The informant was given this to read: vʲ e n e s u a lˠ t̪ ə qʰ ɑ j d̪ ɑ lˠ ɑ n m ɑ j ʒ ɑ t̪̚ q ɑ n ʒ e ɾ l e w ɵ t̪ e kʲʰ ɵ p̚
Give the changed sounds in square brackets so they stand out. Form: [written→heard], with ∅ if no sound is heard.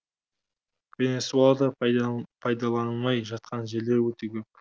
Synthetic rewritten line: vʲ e n e s u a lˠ [t̪→d̪] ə [qʰ→pʰ] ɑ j d̪ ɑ lˠ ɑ n m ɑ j ʒ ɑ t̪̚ q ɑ n ʒ e ɾ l e w ɵ t̪ e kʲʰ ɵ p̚

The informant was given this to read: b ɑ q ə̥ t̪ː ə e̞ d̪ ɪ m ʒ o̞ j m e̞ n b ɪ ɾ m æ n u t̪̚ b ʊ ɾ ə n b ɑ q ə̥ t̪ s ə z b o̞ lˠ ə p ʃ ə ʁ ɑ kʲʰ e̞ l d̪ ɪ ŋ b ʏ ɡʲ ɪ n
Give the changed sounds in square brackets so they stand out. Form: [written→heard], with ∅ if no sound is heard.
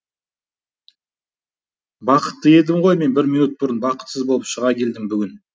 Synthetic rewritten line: b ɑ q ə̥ t̪ː ə e̞ d̪ ɪ m [ʒ→ʁ] o̞ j m e̞ n b ɪ ɾ m [æ→i] n u t̪̚ b ʊ ɾ ə n b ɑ q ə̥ t̪ s ə z b o̞ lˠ ə p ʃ ə ʁ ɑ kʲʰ e̞ l d̪ ɪ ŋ b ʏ ɡʲ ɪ n

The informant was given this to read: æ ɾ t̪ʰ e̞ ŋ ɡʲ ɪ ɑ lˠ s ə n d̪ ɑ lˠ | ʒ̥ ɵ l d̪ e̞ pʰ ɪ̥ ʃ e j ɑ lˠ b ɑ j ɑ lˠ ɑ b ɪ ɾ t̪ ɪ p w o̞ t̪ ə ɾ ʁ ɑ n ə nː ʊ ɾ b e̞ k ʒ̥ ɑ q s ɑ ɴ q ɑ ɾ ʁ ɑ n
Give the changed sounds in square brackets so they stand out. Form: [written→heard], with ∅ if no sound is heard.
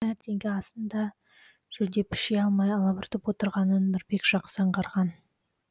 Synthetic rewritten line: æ ɾ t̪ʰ e̞ ŋ ɡʲ ɪ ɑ [lˠ→∅] s ə n d̪ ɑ [lˠ→∅] | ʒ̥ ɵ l d̪ e̞ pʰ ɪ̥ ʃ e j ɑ lˠ [b→m] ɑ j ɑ lˠ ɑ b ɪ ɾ t̪ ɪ p w o̞ t̪ ə ɾ ʁ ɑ n ə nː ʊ ɾ b e̞ k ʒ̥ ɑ q s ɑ ɴ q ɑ ɾ ʁ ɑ n

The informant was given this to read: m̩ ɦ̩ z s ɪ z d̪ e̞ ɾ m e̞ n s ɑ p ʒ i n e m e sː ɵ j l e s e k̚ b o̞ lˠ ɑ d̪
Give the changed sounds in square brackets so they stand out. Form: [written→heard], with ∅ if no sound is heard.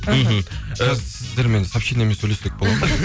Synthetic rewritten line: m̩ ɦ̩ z s ɪ z d̪ e̞ ɾ m e̞ n s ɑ p [ʒ→ʃ] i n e m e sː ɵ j l e s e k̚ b o̞ lˠ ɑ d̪

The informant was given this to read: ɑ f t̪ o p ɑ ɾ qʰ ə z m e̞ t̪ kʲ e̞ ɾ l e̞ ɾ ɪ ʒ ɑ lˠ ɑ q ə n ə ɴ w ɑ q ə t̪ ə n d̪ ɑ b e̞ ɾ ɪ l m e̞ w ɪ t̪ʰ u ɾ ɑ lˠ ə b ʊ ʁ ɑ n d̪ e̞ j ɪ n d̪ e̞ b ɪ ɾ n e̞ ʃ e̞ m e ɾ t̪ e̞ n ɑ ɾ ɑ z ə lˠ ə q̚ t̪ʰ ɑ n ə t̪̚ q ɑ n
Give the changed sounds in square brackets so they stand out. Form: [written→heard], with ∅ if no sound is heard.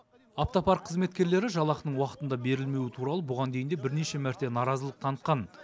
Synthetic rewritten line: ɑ f t̪ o p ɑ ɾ qʰ ə z m e̞ t̪ kʲ e̞ ɾ l e̞ ɾ ɪ ʒ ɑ lˠ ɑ q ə n ə ɴ w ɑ q ə t̪ ə n d̪ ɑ b e̞ ɾ ɪ l m e̞ w ɪ t̪ʰ u ɾ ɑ lˠ ə b ʊ ʁ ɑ n d̪ e̞ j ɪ n d̪ e̞ b ɪ ɾ n e̞ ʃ e̞ m [e→æ] ɾ t̪ e̞ n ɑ ɾ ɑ z ə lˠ ə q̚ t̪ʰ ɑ n ə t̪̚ q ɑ n

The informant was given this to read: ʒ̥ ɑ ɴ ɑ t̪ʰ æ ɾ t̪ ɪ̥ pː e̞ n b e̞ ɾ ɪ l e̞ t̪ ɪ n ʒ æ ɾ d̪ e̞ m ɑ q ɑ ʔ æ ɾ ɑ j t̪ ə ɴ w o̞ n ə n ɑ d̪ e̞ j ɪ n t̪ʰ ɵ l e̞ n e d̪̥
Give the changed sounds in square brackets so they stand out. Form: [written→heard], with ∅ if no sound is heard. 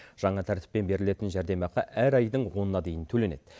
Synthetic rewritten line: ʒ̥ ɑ ɴ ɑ t̪ʰ æ ɾ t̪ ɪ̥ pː e̞ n b e̞ ɾ ɪ l e̞ t̪ ɪ n ʒ æ ɾ d̪ e̞ m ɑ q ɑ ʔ æ ɾ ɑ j [t̪→d̪] ə ɴ w o̞ n ə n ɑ d̪ e̞ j ɪ n t̪ʰ ɵ l e̞ n e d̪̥

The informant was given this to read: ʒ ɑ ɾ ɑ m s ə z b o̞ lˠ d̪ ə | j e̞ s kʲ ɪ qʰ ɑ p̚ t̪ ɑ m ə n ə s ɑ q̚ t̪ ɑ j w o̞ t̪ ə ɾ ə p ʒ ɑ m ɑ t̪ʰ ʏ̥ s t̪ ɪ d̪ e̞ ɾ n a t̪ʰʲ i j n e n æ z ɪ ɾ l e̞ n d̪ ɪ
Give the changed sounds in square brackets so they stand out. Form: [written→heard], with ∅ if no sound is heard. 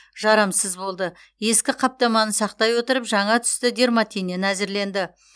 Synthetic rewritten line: ʒ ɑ ɾ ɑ m s ə z b o̞ lˠ d̪ ə | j e̞ s kʲ ɪ qʰ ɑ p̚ t̪ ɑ m [ə→ɑ] n ə s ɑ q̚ t̪ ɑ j w o̞ t̪ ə ɾ ə p ʒ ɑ [m→ɴ] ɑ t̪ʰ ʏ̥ s t̪ ɪ d̪ e̞ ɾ [n→m] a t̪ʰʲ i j n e n æ z ɪ ɾ l e̞ n d̪ ɪ

